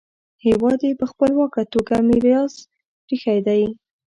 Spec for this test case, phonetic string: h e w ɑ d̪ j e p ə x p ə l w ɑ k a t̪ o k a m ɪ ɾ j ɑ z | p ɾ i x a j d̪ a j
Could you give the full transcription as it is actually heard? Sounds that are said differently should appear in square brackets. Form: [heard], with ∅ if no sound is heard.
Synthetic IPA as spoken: h e w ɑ d̪ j e p ə x p ə l w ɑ k a t̪ o [ɡ] a m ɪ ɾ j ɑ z | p ɾ i x a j d̪ a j

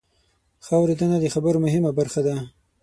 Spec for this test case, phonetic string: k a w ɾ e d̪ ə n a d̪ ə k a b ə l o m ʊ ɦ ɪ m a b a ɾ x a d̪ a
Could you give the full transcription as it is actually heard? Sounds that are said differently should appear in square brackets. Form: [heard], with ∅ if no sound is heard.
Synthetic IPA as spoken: [x] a w ɾ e d̪ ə n a d̪ ə [x] a b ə [ɾ] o m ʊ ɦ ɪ m a b a ɾ x a d̪ a

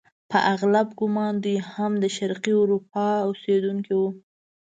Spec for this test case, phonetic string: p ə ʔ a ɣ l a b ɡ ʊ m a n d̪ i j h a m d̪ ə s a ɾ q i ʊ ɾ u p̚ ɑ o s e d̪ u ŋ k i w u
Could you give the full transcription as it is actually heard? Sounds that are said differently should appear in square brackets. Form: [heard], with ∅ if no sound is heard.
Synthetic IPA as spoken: p ə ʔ a ɣ l a b ɡ ʊ m [ɑ] n d̪ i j h a m d̪ ə [ʃ] a ɾ q i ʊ ɾ u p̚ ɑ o s e d̪ u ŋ k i w u

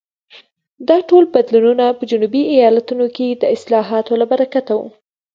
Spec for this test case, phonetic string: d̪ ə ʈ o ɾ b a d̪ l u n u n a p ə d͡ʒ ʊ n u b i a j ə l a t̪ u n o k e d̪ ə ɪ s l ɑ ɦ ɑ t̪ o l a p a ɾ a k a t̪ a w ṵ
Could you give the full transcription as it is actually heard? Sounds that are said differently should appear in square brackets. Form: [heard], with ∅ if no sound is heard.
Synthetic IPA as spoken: d̪ [ɑ] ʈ o [l] b a d̪ l u n u n a p ə d͡ʒ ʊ n u b i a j [ɑ] l a t̪ u n o k e d̪ ə ɪ s l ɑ ɦ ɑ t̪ o l a [b] a ɾ a k a t̪ a w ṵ

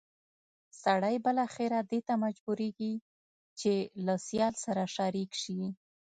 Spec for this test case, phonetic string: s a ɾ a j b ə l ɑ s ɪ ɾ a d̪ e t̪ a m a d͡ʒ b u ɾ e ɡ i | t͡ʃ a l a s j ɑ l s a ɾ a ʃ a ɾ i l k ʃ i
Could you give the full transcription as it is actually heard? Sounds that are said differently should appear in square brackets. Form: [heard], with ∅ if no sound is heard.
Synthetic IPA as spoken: s a [ɽ] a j b ə l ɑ [x] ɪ ɾ a d̪ e t̪ a m a d͡ʒ b u ɾ e ɡ i | t͡ʃ [e] l a s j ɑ l s a ɾ a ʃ a ɾ i [∅] k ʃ i

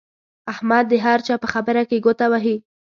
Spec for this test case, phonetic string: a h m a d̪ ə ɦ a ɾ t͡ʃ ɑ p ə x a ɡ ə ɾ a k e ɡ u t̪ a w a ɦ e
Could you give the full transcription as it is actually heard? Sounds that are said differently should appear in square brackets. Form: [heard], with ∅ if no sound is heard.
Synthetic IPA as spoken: a h m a [d̪ː] ə ɦ a ɾ t͡ʃ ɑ p ə x a [b] ə ɾ a k e ɡ [o] t̪ a w a ɦ [i]

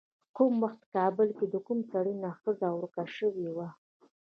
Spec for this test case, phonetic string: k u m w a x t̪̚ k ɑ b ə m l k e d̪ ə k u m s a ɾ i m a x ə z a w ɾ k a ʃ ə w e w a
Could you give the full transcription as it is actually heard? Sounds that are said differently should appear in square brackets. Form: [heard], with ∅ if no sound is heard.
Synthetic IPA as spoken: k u m w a x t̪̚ k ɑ b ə [∅] l k e d̪ ə k u m s a [ɽ] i [n] a x ə z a w ɾ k a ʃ ə w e w a

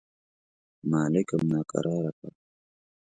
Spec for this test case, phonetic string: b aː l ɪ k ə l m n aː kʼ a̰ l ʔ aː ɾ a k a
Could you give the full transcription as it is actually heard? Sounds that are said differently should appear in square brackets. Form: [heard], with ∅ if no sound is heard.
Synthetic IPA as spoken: [m] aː l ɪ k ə [∅] m n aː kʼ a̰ [ɾ] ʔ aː ɾ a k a

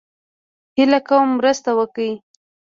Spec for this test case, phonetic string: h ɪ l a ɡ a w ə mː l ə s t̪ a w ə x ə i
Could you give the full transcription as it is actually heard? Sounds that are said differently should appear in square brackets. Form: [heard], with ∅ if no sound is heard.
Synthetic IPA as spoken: h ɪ l a [k] a w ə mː [ɾ] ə s t̪ a w ə [k] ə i

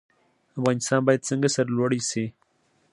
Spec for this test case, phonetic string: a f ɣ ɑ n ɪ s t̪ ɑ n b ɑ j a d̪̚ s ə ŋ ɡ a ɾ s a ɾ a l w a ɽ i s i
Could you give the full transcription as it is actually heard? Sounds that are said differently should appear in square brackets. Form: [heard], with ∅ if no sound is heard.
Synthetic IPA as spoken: a f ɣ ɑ n ɪ s t̪ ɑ n b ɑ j a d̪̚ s ə ŋ ɡ a [∅] s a ɾ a l w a ɽ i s i

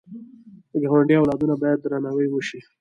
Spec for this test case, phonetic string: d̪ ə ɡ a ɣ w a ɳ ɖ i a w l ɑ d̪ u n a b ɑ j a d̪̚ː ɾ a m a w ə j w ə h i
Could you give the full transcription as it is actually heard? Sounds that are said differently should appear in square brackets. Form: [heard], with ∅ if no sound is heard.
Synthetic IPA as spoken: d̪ ə ɡ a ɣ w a ɳ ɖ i a w l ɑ d̪ u n a b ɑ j a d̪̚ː ɾ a [n] a w ə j w ə [ʃ] i

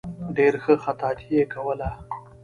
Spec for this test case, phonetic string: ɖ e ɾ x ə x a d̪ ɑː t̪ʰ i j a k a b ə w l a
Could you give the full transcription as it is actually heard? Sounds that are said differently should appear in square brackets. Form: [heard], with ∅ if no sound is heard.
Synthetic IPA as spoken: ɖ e ɾ x ə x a [t̪] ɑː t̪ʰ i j [e] k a [w] ə [∅] l a

